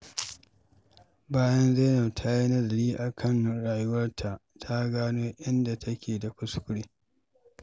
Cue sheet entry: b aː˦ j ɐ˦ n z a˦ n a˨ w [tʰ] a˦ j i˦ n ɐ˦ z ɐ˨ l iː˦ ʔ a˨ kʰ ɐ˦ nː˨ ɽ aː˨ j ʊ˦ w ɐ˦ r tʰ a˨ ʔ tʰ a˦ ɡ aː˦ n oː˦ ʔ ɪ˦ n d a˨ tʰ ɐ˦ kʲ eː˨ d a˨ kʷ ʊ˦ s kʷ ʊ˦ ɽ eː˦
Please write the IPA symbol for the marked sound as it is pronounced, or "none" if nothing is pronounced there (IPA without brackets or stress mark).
tʰ